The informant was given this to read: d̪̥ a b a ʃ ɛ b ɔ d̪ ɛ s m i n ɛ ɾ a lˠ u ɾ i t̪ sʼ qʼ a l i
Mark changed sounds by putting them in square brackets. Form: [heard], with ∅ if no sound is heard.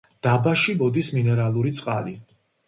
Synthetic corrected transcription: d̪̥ a b a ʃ [i] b ɔ d̪ [i] s m i n ɛ ɾ a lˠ u ɾ i t̪ sʼ qʼ a l i